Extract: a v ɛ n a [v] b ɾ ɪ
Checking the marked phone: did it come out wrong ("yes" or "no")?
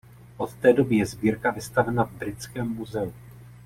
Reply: no